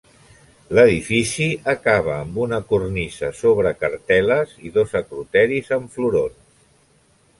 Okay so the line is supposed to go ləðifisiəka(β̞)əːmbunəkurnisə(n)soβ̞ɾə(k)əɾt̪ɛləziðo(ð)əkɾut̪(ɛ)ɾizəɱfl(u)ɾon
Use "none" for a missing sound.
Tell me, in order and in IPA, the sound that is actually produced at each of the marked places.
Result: β̞, none, k, z, ɛ, u

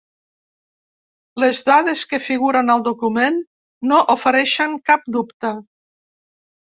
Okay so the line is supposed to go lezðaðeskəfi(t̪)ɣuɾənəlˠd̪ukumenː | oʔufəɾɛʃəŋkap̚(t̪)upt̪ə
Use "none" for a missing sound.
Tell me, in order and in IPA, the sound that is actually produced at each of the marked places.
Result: none, d̪

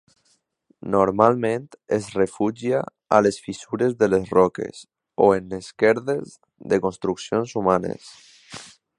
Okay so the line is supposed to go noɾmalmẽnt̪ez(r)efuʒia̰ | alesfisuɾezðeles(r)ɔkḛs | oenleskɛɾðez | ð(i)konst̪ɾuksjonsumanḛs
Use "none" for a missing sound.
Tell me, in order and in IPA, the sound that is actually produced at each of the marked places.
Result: r, r, e

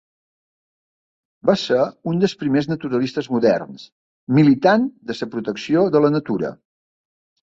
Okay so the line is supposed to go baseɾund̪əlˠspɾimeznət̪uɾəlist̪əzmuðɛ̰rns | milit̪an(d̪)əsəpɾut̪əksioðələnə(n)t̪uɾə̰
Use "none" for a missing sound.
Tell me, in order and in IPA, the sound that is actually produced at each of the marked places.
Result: d̪, none

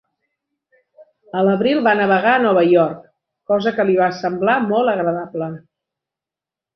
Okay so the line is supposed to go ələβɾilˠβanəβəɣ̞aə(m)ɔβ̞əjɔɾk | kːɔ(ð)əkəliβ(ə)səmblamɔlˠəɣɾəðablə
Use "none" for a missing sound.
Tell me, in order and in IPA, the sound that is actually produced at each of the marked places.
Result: n, z, a

